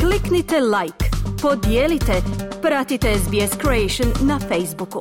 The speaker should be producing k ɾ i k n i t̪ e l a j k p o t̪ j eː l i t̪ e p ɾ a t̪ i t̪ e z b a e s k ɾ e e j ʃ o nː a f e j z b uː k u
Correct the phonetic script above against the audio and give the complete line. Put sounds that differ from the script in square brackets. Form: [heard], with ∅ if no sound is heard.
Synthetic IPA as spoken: k [l] i k n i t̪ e l a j k p o [d̪] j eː l i t̪ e p ɾ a t̪ i t̪ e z b [i] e s k ɾ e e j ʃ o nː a f e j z b [u] k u